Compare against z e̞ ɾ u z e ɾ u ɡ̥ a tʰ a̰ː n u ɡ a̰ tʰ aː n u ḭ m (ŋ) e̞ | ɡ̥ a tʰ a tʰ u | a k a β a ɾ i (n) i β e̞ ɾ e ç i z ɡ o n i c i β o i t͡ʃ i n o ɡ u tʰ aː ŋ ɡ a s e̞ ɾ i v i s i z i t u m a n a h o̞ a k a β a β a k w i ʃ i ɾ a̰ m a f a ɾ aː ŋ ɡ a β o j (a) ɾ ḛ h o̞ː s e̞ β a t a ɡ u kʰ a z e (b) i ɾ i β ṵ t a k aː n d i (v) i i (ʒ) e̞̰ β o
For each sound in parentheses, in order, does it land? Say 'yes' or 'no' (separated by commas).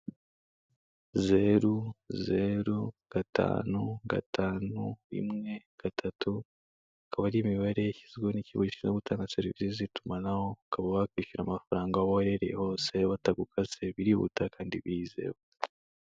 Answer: yes, no, no, no, no, no